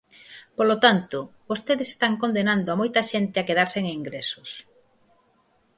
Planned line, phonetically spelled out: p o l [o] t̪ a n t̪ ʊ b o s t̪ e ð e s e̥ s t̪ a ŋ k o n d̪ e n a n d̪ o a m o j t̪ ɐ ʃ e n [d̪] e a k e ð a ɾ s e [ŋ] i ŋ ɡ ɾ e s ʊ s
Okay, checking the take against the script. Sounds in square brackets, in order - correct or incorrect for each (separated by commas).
correct, incorrect, correct